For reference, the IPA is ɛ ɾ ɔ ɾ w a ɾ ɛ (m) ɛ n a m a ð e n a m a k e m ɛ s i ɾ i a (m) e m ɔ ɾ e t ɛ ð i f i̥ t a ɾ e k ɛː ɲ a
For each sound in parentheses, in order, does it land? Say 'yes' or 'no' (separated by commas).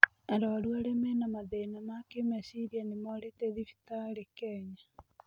yes, no